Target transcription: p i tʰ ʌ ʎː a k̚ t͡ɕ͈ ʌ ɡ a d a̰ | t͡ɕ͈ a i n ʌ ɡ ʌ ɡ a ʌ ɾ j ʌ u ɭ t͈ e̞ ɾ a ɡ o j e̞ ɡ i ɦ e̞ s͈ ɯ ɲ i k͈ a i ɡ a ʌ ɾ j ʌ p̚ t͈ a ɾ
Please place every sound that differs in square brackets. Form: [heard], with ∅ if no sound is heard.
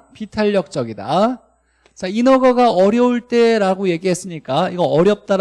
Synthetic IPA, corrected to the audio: p i tʰ [a] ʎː [ʌ] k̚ t͡ɕ͈ ʌ ɡ [i] d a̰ | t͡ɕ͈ a i n ʌ ɡ ʌ ɡ a ʌ ɾ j ʌ u ɭ t͈ e̞ ɾ a ɡ o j e̞ ɡ i ɦ e̞ s͈ ɯ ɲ i k͈ a i ɡ [ʌ] ʌ ɾ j ʌ p̚ t͈ a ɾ

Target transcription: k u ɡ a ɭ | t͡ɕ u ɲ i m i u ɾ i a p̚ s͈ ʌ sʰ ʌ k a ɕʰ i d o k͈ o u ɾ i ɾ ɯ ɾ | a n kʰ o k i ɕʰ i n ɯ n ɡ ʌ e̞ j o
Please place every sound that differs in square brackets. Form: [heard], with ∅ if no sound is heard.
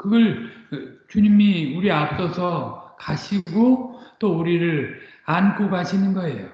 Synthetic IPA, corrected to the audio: k [ɯ] ɡ [ʌ] ɭ | t͡ɕ u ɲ i m i u ɾ i a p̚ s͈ ʌ sʰ ʌ k a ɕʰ i [ɡ] o [t͈] o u ɾ i ɾ ɯ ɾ | a n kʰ o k [a] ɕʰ i n ɯ n ɡ ʌ e̞ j o

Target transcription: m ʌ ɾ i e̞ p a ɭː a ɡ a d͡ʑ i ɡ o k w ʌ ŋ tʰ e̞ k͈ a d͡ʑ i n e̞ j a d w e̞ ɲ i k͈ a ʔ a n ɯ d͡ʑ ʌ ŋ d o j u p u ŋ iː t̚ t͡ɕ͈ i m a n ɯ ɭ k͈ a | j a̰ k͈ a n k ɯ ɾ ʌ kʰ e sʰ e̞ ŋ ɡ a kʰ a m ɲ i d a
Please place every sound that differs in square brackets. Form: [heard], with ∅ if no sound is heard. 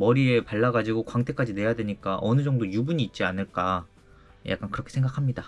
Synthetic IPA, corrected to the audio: m ʌ ɾ i e̞ p a ɭː a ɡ a d͡ʑ i ɡ o k w [a] ŋ tʰ e̞ k͈ a d͡ʑ i n e̞ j a d w e̞ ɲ i k͈ a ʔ [ʌ] n ɯ d͡ʑ ʌ ŋ d o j u [b] u [ɲ] iː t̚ t͡ɕ͈ i [∅] a n ɯ ɭ k͈ a | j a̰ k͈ a n k ɯ ɾ ʌ kʰ e sʰ e̞ ŋ ɡ a kʰ a m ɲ i d a

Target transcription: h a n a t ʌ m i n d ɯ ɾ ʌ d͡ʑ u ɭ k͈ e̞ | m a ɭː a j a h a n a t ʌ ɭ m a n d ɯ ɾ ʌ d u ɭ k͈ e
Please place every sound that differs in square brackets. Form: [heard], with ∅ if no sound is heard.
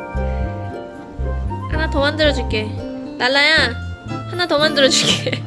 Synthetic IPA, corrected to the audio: h a n a t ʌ m [a] n d ɯ ɾ ʌ d͡ʑ u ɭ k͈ e̞ | [n] a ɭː a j a h a n a t ʌ [∅] m a n d ɯ ɾ ʌ [d͡ʑ] u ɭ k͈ e

